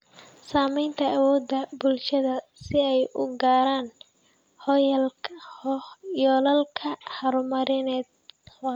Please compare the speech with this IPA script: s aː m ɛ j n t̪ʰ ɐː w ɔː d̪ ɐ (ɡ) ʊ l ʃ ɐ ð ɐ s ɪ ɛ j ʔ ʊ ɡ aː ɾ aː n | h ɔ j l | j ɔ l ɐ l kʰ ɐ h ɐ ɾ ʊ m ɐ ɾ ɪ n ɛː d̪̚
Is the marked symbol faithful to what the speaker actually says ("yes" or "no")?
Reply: no